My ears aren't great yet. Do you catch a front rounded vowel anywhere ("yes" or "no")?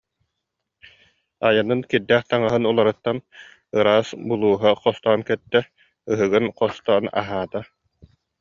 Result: no